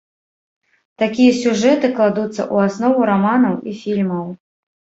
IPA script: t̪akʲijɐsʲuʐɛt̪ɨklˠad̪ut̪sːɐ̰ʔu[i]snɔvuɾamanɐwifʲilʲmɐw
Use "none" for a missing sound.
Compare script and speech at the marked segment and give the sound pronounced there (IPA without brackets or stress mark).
a